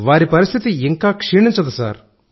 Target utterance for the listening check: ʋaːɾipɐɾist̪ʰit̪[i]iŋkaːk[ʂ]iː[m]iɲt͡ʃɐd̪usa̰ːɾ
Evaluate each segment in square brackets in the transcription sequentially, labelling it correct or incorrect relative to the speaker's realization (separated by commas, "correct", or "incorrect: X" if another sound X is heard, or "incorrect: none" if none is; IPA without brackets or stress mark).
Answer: correct, correct, incorrect: ɳ